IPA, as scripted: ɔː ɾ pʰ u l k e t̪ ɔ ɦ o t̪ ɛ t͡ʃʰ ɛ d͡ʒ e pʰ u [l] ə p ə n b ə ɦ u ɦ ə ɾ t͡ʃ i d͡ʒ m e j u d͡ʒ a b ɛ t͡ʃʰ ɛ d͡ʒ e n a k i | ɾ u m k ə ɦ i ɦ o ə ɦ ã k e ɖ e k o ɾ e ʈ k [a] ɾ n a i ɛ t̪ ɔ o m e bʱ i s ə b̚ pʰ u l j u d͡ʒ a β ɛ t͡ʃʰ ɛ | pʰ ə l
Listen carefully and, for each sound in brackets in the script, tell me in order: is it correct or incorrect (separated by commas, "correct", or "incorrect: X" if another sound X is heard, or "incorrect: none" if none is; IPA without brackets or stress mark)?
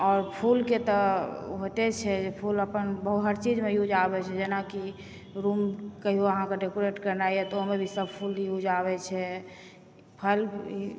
correct, incorrect: ə